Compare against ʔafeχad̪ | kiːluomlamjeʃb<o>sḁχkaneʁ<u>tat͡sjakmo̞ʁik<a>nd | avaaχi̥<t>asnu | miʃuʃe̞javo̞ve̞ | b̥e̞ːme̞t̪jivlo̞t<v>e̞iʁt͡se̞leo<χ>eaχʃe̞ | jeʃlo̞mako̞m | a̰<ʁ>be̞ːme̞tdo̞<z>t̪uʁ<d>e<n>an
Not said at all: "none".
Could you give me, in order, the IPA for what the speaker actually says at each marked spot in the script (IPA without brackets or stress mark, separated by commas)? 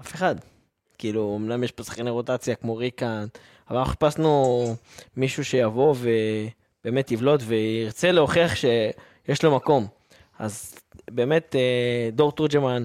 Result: o, o, a, p, v, χ, z, ʁ, d͡ʒ, m